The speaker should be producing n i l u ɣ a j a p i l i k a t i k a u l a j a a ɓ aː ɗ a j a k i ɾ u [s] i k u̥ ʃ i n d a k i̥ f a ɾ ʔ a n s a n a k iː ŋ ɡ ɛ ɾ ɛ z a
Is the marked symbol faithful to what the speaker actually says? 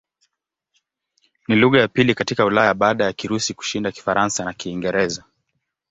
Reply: yes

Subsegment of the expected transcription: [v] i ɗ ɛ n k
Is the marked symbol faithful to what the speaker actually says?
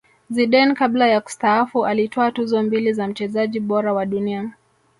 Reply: no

